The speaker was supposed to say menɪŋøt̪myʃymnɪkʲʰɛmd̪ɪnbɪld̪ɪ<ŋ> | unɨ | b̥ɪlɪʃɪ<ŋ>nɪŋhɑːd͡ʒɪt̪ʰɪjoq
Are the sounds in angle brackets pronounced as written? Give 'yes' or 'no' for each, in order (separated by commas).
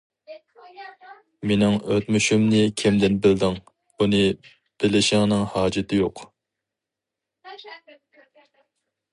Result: yes, yes